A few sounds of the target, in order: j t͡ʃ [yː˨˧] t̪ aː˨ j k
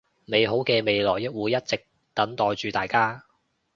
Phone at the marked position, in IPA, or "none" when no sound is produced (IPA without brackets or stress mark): yː˨˧